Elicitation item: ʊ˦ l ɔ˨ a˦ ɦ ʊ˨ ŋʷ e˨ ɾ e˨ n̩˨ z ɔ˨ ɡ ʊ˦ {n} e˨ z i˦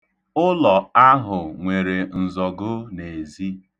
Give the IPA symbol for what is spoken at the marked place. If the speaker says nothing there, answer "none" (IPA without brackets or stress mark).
n